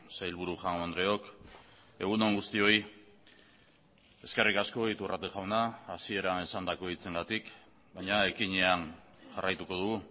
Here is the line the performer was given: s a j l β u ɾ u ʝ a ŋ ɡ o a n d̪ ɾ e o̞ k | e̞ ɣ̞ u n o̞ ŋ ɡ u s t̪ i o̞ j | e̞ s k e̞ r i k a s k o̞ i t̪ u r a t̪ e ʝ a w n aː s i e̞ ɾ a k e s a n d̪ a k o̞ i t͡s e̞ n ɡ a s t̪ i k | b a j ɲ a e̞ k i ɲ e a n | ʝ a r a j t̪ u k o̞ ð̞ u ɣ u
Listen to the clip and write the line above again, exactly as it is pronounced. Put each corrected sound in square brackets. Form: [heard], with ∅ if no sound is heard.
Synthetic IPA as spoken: s a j l β u ɾ u ʝ a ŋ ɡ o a n d̪ ɾ e o̞ k | e̞ ɣ̞ u n o̞ ŋ ɡ u s t̪ i o̞ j | e̞ s k e̞ r i k a s k o̞ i t̪ u r a t̪ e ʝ a w n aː s i e̞ ɾ a [∅] e s a n d̪ a k o̞ i t͡s e̞ [ŋ] ɡ a [∅] t̪ i k | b a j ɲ a e̞ k i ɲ e a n | ʝ a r a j t̪ u k o̞ ð̞ u ɣ u